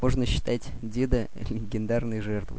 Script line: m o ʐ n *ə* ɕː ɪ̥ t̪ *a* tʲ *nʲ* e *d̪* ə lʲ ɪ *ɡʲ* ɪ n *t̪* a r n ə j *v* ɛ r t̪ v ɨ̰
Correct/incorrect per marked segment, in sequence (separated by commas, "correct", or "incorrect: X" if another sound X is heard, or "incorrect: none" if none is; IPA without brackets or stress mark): correct, correct, incorrect: dʲ, correct, correct, incorrect: d̪, incorrect: ʐ